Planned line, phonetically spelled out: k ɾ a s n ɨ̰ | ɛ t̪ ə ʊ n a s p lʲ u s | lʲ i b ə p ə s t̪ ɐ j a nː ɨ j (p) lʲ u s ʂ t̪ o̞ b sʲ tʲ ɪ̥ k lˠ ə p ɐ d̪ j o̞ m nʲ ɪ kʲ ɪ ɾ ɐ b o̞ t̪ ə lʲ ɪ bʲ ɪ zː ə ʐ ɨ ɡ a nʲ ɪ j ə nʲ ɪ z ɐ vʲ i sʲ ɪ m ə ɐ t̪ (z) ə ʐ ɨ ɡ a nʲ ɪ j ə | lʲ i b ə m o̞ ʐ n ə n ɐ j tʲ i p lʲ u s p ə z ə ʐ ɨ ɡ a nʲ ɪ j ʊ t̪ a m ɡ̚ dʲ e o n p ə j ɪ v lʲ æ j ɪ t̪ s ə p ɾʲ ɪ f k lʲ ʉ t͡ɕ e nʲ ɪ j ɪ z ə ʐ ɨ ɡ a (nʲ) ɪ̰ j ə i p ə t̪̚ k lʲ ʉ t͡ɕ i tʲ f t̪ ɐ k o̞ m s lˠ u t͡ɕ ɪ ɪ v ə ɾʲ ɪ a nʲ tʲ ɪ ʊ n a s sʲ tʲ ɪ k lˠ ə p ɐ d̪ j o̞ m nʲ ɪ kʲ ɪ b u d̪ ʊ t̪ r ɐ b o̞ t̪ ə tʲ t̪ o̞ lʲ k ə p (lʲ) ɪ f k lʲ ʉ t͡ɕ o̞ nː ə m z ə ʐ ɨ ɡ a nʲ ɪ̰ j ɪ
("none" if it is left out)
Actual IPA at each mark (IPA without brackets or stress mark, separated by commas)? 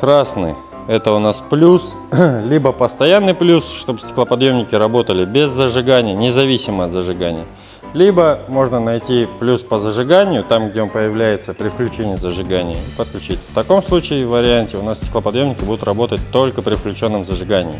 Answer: p, z, nʲ, ɾʲ